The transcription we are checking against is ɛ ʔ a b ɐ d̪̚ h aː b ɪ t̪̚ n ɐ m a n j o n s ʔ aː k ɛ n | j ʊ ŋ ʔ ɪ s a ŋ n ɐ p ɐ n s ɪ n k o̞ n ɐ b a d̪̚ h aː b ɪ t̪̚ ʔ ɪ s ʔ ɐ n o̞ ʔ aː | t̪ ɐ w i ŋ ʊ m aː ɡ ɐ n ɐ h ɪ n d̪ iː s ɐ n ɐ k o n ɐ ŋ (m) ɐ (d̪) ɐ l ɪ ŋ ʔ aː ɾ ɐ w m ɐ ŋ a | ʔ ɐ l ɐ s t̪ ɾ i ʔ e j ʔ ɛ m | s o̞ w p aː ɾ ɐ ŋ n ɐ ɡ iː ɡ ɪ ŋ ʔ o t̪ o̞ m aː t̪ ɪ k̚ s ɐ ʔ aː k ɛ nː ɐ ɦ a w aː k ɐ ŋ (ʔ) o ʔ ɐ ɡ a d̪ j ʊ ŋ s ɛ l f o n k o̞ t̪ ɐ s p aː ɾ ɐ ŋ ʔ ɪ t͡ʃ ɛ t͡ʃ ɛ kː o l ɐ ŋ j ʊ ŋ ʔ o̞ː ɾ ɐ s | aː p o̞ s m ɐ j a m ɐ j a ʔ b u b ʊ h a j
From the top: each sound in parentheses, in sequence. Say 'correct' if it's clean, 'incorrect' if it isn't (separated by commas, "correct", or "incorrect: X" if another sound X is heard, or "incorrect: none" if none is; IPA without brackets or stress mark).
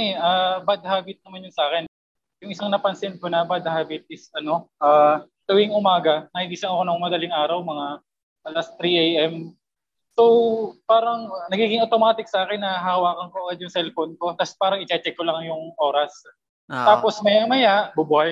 correct, correct, incorrect: k